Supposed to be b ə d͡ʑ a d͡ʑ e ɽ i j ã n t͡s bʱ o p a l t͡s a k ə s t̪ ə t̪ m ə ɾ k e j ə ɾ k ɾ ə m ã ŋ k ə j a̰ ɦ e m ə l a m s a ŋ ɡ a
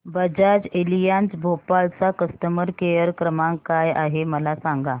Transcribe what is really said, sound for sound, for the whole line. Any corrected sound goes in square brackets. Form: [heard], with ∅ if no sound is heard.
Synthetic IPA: b ə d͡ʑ a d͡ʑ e [l] i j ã n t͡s bʱ o p a l t͡s a k ə s t̪ ə [∅] m ə ɾ k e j ə ɾ k ɾ ə m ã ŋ k [a] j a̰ ɦ e m ə l a [∅] s a ŋ ɡ a